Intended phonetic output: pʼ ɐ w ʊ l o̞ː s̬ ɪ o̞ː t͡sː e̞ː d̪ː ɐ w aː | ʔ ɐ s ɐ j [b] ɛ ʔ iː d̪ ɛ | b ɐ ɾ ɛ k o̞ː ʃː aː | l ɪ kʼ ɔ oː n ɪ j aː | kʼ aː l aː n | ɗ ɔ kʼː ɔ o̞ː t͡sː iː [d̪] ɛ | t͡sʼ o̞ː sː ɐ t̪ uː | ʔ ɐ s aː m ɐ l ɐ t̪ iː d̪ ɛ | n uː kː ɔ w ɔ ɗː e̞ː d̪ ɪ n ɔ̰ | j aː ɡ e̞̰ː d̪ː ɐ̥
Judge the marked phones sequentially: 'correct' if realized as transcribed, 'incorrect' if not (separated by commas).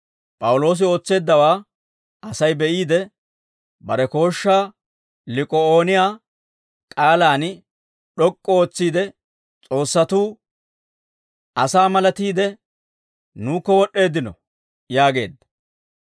correct, correct